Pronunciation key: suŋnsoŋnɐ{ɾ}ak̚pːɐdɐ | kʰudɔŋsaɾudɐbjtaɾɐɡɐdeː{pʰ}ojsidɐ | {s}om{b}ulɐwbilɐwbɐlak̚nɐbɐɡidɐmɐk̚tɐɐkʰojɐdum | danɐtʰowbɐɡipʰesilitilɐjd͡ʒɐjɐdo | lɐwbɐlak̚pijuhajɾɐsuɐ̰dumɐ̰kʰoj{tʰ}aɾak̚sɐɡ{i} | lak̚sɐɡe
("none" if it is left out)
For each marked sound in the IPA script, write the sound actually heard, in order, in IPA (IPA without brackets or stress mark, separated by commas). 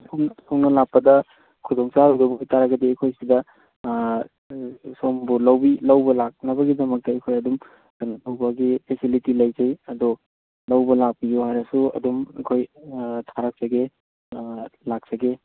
l, kʰ, s, b, tʰ, e